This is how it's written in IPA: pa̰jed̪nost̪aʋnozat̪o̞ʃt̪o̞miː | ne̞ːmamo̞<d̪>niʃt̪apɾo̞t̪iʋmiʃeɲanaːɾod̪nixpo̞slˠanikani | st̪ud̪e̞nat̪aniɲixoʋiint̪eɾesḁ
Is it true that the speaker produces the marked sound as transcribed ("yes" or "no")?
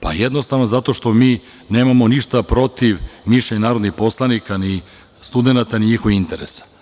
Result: no